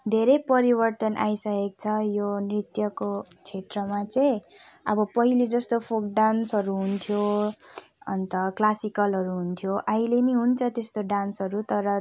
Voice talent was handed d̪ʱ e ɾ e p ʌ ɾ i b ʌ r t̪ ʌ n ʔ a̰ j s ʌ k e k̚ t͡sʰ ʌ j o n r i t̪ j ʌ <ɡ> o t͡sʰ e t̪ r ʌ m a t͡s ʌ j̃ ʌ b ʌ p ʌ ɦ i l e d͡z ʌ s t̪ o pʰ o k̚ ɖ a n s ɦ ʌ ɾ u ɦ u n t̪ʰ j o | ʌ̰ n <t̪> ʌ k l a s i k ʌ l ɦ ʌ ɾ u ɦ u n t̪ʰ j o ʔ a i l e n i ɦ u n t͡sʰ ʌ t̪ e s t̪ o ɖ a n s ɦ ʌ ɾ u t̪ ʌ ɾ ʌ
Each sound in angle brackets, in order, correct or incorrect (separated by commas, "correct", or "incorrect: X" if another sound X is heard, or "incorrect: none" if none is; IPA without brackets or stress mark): incorrect: k, correct